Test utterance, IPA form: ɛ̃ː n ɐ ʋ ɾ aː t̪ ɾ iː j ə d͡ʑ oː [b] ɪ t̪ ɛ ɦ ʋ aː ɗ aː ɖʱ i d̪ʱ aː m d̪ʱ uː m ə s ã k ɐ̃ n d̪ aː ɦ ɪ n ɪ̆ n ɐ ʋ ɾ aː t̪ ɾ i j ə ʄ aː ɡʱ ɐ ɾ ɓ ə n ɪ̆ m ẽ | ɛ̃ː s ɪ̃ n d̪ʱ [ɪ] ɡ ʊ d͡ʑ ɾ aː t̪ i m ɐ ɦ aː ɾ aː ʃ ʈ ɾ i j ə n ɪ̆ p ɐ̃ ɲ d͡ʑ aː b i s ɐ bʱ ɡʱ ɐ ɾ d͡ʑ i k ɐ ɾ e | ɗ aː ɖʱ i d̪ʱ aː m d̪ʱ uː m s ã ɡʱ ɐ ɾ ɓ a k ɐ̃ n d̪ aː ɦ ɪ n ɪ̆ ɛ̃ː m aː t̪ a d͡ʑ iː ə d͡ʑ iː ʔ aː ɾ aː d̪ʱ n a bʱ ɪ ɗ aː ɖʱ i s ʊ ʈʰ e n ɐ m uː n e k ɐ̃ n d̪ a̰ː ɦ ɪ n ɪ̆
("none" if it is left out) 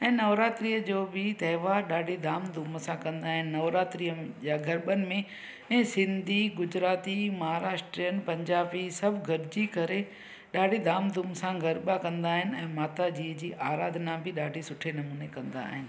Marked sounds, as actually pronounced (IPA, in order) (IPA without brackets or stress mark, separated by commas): b, i